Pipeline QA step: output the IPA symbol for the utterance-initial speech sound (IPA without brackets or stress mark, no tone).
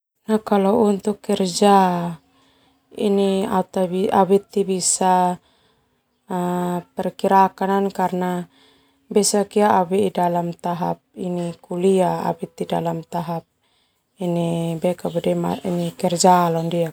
n